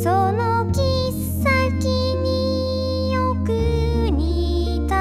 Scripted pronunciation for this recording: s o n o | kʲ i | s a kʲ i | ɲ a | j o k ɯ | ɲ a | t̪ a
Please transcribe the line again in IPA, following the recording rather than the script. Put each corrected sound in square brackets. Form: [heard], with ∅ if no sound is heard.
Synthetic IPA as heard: s o n o | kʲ i | s a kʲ i | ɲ [i] | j o k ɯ | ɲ [i] | t̪ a